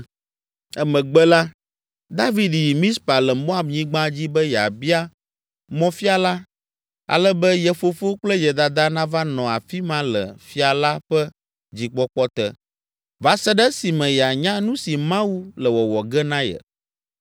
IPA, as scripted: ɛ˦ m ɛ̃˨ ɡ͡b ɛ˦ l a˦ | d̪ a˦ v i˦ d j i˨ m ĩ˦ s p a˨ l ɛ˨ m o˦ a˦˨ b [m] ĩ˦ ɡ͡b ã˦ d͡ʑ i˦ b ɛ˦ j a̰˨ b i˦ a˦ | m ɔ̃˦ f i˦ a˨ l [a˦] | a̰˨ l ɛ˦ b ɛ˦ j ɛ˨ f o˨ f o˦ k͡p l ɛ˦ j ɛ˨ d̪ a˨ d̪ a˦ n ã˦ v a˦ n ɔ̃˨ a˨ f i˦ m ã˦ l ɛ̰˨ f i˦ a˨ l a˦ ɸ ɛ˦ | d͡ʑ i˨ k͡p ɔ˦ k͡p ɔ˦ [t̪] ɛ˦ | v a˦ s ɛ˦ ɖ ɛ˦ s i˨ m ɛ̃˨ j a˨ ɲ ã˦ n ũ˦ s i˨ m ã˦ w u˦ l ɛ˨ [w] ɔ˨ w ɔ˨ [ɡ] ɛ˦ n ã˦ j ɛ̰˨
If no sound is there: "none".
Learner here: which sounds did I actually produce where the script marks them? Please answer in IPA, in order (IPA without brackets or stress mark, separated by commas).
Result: ɲ, a˦, t̪, w, ɡ